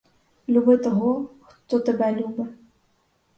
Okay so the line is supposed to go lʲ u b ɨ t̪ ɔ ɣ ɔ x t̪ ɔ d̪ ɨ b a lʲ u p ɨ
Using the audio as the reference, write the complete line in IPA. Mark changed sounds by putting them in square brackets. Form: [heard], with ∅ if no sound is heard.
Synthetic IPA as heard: lʲ u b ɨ t̪ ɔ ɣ ɔ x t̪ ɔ [t̪] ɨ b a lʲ u [b] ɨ